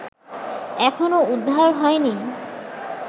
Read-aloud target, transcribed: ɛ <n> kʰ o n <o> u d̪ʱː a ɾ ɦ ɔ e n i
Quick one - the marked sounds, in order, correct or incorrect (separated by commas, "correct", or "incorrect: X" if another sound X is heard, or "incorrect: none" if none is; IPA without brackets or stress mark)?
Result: incorrect: none, correct